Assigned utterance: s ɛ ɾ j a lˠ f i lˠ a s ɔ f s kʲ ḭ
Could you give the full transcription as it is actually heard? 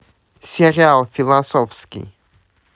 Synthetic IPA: s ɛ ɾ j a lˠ f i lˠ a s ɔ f s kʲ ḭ